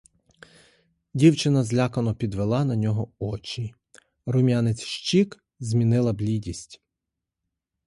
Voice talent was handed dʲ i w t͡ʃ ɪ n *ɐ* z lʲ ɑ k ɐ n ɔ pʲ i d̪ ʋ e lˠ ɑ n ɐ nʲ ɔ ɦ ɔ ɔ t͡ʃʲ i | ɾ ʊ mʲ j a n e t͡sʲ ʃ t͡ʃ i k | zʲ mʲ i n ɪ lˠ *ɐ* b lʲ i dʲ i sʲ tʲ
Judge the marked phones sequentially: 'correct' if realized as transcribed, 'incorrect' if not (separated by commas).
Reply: correct, correct